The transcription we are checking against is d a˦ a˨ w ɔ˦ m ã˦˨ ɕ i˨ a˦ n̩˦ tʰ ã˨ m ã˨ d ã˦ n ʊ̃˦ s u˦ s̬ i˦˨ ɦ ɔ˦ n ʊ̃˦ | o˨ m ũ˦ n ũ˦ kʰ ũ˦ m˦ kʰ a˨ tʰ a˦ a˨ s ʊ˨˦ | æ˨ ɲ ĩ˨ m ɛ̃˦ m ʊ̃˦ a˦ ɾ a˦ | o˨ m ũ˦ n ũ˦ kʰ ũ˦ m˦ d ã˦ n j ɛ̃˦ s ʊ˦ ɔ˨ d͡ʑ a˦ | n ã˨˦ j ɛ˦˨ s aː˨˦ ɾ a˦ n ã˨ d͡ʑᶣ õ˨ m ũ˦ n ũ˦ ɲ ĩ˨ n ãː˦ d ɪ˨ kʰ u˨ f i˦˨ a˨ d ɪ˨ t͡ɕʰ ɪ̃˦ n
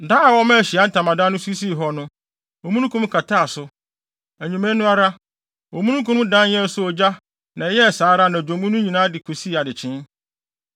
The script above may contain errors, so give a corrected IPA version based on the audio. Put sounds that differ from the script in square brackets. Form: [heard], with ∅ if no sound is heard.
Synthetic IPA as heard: d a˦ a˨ w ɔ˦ m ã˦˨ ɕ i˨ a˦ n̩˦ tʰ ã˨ m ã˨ d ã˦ n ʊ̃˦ s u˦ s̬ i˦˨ ɦ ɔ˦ n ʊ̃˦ | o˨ m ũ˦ n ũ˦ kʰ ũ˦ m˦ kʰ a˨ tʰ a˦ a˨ s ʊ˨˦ | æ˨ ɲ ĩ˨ m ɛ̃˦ [n] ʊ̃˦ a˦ ɾ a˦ | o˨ m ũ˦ n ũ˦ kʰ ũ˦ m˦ d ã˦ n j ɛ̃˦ s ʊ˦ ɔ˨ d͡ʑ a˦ | n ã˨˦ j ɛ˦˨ s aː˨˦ ɾ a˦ n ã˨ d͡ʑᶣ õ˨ m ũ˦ n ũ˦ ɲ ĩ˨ n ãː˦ d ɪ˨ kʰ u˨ [s] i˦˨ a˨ d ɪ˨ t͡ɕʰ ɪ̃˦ n